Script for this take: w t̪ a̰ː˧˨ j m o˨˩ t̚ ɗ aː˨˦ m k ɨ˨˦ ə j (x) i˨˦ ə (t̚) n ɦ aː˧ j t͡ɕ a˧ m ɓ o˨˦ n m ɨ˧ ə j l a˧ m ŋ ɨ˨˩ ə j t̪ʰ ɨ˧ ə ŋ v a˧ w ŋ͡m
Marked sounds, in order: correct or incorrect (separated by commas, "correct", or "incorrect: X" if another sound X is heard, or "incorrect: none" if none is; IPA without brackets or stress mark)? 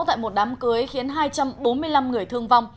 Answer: correct, incorrect: none